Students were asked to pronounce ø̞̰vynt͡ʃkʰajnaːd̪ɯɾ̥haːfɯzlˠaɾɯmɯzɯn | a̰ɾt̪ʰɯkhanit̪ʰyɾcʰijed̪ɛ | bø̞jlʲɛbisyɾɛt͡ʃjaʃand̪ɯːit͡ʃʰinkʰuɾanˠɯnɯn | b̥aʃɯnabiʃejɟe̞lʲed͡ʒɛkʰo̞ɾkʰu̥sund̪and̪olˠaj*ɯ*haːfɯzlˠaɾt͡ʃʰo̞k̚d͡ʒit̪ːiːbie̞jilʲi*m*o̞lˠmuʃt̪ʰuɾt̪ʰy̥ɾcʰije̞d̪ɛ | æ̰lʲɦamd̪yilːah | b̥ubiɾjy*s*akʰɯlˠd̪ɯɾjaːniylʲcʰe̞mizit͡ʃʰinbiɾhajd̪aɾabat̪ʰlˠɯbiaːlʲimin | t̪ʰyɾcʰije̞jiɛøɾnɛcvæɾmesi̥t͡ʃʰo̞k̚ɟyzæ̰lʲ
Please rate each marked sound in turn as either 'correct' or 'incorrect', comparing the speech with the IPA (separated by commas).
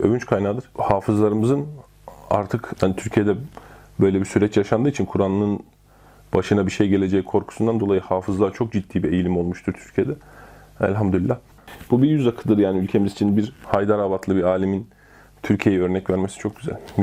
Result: correct, correct, incorrect